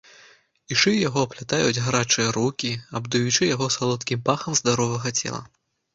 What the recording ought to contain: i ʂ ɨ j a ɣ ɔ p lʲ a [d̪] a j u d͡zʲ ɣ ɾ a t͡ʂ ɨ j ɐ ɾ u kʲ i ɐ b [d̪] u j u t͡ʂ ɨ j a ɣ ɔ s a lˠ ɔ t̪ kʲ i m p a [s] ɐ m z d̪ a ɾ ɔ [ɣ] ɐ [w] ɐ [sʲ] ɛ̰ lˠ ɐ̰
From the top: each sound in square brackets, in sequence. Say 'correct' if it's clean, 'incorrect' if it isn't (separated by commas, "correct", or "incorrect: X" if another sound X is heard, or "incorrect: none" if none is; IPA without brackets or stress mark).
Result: incorrect: t̪, correct, incorrect: x, incorrect: v, incorrect: ɣ, incorrect: t͡sʲ